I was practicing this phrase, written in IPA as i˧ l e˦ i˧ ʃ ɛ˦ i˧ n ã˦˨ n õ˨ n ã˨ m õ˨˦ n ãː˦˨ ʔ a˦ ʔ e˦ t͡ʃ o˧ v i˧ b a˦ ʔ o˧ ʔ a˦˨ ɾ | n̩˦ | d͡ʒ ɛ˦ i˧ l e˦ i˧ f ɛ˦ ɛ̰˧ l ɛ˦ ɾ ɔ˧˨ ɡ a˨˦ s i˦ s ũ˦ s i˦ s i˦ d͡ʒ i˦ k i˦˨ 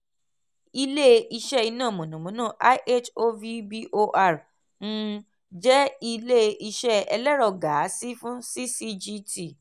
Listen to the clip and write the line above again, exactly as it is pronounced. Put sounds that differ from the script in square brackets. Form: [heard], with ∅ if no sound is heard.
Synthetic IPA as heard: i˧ l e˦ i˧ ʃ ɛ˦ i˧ n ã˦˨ [m] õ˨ n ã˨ m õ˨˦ n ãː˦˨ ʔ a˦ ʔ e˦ t͡ʃ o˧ v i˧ b [i˦] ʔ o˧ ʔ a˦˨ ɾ | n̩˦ | d͡ʒ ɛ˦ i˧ l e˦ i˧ [ʃ] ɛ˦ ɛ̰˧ l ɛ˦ ɾ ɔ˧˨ ɡ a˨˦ s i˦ [f] ũ˦ s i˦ s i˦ d͡ʒ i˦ [t] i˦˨

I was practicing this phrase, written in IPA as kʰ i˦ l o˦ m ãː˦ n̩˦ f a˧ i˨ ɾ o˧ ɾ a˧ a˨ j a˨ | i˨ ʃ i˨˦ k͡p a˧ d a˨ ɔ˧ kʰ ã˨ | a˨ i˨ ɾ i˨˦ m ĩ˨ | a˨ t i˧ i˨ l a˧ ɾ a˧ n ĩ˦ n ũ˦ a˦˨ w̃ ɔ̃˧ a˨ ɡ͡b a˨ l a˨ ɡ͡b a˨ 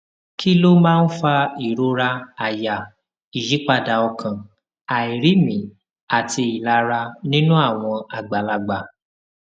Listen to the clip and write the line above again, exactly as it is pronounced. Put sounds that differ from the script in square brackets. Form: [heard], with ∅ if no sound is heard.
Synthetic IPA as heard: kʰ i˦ l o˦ m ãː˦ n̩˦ f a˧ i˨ ɾ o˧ ɾ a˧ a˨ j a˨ | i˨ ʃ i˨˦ k͡p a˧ d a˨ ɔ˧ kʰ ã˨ | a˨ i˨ ɾ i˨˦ m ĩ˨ | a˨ t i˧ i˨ l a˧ ɾ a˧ n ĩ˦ n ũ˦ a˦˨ w̃ ɔ̃˧ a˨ ɡ͡b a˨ l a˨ ɡ͡b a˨

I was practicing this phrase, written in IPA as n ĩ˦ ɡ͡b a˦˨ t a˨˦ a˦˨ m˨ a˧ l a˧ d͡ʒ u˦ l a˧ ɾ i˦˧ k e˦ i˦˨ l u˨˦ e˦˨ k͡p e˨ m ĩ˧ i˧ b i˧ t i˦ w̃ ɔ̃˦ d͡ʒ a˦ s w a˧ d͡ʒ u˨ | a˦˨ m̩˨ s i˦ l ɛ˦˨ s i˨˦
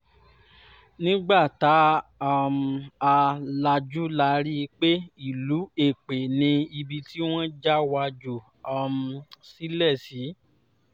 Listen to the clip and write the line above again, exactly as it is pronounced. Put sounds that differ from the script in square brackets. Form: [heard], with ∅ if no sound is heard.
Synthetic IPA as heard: n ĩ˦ ɡ͡b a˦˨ t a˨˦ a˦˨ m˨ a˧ l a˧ d͡ʒ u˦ l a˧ ɾ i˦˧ [k͡p] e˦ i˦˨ l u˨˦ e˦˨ k͡p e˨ [n] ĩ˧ i˧ b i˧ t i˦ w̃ ɔ̃˦ d͡ʒ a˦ [∅] w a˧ d͡ʒ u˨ | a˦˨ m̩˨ s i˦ l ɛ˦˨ s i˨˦

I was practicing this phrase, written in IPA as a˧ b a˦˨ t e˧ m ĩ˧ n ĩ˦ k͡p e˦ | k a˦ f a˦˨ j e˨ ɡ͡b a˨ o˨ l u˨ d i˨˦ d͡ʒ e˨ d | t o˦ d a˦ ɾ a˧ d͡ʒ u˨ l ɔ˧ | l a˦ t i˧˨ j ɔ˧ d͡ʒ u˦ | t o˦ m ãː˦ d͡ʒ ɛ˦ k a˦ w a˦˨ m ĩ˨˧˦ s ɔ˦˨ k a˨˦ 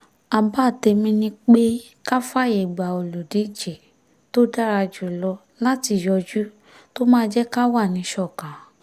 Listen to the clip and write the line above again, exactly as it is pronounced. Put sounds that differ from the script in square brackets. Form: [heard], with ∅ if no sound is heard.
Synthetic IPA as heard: a˧ b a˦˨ t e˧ m ĩ˧ n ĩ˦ k͡p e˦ | k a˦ f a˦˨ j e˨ ɡ͡b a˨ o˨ l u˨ d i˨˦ d͡ʒ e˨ [∅] | t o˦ d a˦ ɾ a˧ d͡ʒ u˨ l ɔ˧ | l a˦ t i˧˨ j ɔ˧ d͡ʒ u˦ | t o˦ m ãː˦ d͡ʒ ɛ˦ k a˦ w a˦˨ [n] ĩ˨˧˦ [ʃ] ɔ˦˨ k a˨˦

